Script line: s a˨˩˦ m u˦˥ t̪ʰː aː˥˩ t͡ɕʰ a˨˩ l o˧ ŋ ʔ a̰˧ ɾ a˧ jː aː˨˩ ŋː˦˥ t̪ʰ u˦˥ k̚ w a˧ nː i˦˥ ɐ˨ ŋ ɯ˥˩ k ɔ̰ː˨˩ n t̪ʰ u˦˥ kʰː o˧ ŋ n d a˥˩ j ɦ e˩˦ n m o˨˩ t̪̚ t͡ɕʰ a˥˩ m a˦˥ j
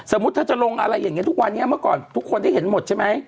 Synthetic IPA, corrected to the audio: s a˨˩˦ m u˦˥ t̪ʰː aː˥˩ t͡ɕ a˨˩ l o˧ ŋ ʔ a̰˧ ɾ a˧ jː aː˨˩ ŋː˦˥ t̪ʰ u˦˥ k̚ w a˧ nː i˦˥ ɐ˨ m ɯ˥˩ k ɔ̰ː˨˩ n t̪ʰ u˦˥ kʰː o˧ n d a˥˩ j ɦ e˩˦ n m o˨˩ t̪̚ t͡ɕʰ a˥˩ m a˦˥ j